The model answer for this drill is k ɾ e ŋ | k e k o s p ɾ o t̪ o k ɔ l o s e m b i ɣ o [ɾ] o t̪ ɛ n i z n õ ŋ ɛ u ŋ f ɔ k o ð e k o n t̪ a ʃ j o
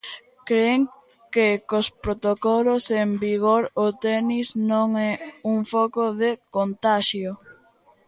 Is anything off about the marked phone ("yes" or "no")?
no